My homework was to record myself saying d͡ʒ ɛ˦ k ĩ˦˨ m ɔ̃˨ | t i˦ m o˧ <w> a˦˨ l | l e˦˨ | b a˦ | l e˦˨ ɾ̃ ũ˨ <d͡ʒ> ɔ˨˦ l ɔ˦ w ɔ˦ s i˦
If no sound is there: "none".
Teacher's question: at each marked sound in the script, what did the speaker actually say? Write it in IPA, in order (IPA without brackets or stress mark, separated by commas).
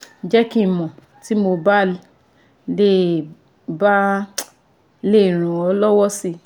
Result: b, none